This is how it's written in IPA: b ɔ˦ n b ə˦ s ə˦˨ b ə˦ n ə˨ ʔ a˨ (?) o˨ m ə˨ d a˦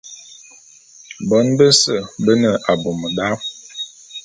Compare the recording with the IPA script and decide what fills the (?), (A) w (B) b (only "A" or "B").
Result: B